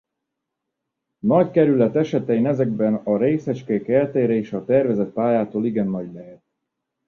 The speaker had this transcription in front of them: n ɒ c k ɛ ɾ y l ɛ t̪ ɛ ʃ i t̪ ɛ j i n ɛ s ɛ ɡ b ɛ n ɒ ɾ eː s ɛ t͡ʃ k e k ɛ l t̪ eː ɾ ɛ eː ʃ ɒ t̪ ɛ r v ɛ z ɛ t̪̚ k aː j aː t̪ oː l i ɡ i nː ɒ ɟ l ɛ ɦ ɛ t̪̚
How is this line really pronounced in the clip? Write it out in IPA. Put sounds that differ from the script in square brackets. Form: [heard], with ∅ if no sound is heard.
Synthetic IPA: n ɒ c k ɛ ɾ y l ɛ t̪ ɛ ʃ [ɛ] t̪ ɛ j i n ɛ [z] ɛ ɡ b ɛ n ɒ ɾ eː s ɛ t͡ʃ k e k ɛ l t̪ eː ɾ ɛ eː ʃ ɒ t̪ ɛ r v ɛ z ɛ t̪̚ [p] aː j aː t̪ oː l i ɡ [ɛ] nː ɒ ɟ l ɛ ɦ ɛ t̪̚